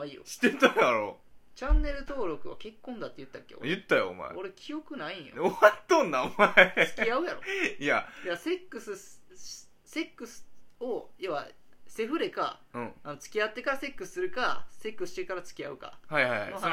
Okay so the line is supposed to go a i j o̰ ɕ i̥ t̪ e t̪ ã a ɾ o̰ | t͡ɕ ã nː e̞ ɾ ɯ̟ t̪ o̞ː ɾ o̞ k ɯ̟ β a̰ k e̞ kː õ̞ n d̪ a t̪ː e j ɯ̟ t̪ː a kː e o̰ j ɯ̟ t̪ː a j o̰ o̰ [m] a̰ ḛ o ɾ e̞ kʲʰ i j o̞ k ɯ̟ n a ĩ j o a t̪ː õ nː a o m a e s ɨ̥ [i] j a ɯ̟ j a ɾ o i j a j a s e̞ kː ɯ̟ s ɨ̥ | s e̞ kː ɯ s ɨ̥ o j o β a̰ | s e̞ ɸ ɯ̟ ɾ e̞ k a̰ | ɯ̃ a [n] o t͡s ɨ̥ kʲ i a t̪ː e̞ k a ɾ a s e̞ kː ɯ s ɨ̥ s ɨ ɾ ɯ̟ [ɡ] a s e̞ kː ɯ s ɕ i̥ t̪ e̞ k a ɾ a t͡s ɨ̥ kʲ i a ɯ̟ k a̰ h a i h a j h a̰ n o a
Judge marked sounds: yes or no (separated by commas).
yes, yes, yes, no